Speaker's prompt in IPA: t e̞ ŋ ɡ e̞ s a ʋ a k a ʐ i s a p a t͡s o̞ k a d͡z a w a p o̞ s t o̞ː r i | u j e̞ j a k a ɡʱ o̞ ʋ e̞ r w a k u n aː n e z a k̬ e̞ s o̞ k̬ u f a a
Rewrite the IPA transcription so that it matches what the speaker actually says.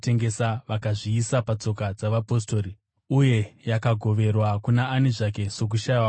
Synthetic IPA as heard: t e̞ ŋ ɡ e̞ s a ʋ a k a ʐ iː s a p a t͡s o̞ k a d͡z a ʋ a p o̞ s t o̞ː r i | u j e̞ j a k a ɡʱ o̞ ʋ e̞ r w a k u n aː n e ʐ a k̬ e̞ s o̞ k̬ u ʃ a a

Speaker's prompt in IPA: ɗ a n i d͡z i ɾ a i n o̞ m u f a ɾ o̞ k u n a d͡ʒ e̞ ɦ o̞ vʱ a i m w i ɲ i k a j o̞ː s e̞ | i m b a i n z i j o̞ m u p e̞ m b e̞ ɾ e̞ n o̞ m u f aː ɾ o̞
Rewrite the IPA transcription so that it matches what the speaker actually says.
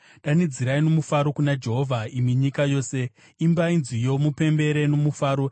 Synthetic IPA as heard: ɗ a n i d͡z i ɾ a i n o̞ m u f a ɾ o̞ k u n a d͡ʒ e̞ ɦ o̞ vʱ a i m w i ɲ i k a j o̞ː s e̞ | i m b a i n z i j o̞ m u p e̞ m b e̞ ɾ e̞ n o̞ m u f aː ɾ o̞

